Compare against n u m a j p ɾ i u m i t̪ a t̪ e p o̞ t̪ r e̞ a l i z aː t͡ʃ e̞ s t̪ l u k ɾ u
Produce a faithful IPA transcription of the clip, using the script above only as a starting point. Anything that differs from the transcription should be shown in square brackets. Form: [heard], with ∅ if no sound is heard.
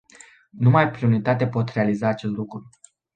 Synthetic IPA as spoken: n u m a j p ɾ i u [n] i t̪ a t̪ e p o̞ t̪ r e̞ a l i z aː t͡ʃ e̞ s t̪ l u k ɾ u